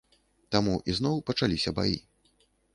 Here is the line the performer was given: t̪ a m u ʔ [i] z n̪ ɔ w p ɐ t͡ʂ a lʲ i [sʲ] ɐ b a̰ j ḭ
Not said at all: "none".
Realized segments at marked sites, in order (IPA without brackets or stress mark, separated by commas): i, sʲ